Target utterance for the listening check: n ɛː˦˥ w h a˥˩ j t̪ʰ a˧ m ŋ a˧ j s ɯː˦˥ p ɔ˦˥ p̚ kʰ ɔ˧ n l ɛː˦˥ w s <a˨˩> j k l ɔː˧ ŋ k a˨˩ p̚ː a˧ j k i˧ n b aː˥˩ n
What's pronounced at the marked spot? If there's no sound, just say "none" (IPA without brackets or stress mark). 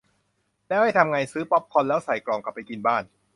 a˨˩